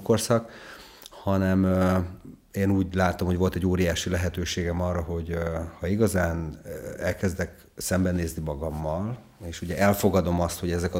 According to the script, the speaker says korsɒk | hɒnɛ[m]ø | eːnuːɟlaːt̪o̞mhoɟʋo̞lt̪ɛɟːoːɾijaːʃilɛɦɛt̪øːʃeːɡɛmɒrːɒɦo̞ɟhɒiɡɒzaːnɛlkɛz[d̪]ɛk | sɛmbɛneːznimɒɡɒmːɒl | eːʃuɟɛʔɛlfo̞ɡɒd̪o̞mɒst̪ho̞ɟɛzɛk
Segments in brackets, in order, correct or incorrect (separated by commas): correct, correct